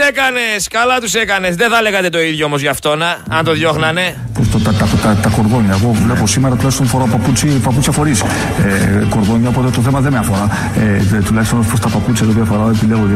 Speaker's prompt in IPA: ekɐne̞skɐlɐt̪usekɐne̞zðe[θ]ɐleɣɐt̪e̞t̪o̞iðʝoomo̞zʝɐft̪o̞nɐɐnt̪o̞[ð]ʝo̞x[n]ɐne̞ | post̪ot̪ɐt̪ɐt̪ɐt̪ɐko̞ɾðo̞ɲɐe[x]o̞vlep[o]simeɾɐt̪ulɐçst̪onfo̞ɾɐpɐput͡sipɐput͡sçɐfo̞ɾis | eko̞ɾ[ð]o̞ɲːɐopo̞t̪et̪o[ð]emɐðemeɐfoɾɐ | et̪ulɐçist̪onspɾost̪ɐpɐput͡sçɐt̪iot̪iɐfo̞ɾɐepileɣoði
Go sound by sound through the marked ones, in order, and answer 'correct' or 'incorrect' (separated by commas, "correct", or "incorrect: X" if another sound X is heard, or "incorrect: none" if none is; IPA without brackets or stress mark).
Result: correct, correct, correct, incorrect: ɣ, correct, correct, incorrect: θ